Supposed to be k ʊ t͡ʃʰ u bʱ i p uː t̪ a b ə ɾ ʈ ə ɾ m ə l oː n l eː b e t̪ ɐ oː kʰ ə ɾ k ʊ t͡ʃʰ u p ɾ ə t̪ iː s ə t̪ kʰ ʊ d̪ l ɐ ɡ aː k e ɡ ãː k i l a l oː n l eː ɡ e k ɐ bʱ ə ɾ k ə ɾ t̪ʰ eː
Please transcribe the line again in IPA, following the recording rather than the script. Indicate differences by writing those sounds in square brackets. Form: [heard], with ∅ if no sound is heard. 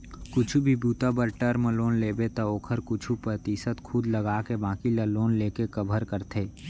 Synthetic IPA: k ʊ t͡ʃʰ u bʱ i [b] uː t̪ a b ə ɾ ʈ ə ɾ m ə l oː n l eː b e t̪ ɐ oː kʰ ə ɾ k ʊ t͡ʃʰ u p ɾ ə t̪ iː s ə t̪ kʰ ʊ d̪ l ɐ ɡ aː k e [b] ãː k i l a l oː n l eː [k] e k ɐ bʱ ə ɾ k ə ɾ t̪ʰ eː